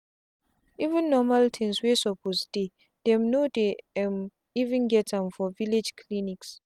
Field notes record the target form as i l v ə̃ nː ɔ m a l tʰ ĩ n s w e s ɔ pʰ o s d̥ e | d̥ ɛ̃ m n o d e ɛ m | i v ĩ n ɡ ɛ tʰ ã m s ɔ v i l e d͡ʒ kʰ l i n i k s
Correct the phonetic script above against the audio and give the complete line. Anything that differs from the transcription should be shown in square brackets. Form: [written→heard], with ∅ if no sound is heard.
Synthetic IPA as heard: i [l→∅] v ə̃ nː ɔ m a l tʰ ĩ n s w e s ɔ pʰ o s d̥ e | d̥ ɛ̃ m n o d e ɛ m | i v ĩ n ɡ ɛ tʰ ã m [s→f] ɔ v i l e d͡ʒ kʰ l i n i k s